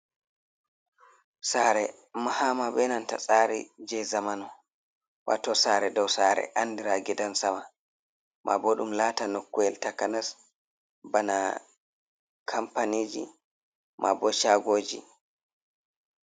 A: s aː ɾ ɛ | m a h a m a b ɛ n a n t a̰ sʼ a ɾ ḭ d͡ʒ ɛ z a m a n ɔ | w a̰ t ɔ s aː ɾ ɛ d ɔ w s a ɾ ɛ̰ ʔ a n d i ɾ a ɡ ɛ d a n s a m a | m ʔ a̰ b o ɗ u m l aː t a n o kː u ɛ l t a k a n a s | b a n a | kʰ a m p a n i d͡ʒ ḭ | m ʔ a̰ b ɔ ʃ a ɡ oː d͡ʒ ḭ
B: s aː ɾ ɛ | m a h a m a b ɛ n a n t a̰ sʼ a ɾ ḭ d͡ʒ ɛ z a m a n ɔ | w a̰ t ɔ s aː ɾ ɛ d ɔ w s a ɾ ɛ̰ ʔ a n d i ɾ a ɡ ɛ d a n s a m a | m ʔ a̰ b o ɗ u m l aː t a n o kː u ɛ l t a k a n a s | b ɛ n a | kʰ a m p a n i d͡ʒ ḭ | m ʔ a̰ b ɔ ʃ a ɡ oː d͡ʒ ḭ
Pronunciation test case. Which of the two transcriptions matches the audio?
A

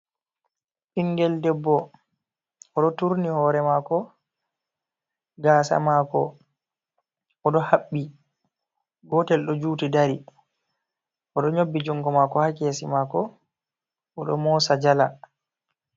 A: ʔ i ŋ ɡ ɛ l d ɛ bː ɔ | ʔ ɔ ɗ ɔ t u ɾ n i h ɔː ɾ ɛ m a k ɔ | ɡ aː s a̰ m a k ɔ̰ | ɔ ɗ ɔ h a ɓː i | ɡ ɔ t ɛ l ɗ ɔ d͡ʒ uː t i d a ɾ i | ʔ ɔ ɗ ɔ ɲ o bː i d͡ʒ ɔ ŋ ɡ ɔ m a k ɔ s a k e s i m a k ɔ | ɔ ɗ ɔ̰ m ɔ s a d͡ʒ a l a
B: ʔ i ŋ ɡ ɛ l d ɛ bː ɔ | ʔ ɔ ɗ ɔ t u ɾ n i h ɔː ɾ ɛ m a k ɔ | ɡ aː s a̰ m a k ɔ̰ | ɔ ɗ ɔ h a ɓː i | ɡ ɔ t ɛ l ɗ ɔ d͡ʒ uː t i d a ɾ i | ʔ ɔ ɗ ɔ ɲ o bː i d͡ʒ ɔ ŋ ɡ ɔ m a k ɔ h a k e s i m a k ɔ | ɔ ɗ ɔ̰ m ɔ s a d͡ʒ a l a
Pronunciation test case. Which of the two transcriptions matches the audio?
B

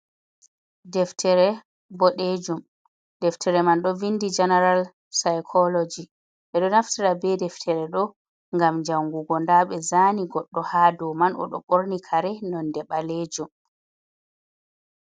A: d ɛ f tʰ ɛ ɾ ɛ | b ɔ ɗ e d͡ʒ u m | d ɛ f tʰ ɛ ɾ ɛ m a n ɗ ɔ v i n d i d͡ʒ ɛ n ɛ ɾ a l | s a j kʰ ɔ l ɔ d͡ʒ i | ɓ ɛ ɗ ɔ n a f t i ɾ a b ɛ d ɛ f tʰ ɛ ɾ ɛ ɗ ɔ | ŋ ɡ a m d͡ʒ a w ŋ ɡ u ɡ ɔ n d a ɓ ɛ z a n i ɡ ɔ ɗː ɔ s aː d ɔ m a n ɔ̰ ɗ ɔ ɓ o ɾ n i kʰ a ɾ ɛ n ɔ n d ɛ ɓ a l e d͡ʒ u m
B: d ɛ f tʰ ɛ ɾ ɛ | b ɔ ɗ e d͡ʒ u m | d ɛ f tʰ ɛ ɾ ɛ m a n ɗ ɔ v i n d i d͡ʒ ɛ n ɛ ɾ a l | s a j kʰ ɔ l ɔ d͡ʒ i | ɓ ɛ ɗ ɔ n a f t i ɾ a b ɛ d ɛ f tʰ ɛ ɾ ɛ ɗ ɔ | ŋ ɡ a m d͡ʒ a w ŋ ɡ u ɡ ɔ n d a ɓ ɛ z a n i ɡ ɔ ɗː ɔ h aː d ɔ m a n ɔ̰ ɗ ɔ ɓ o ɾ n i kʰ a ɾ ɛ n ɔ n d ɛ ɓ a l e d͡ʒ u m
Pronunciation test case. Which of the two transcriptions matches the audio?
B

